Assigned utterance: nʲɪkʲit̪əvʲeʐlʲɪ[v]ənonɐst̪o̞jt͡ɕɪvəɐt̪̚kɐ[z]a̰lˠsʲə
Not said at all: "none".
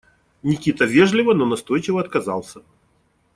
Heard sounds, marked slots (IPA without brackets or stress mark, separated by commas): v, z